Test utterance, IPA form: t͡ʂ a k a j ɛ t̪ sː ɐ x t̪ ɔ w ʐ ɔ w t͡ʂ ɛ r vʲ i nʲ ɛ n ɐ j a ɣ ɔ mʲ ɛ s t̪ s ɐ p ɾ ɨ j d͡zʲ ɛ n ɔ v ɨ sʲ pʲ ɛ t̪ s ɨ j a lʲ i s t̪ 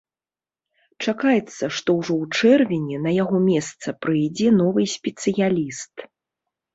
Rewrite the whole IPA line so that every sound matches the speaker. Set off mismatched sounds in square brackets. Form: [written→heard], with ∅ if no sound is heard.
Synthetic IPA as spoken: t͡ʂ a k a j ɛ t̪ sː ɐ [x→ʂ] t̪ ɔ w ʐ ɔ w t͡ʂ ɛ r vʲ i nʲ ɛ n ɐ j a ɣ ɔ mʲ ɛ s t̪ s ɐ p ɾ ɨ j d͡zʲ ɛ n ɔ v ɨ sʲ pʲ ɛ t̪ s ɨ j a lʲ i s t̪